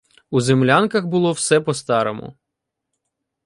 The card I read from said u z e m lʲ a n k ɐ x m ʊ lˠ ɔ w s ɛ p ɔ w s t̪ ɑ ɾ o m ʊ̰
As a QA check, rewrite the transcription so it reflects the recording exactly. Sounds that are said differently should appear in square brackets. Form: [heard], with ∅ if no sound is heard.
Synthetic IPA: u z e m lʲ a n k ɐ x [b] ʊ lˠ ɔ w s ɛ p ɔ [∅] s t̪ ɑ ɾ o m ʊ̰